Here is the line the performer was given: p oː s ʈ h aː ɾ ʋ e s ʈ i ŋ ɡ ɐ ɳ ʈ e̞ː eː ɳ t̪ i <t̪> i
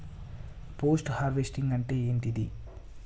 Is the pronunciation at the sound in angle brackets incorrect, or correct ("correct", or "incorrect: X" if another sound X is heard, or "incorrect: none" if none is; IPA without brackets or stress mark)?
incorrect: d̪